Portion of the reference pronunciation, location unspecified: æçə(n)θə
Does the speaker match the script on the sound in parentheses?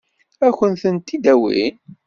yes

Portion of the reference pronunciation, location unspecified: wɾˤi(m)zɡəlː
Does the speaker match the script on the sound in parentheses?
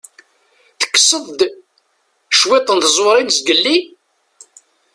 no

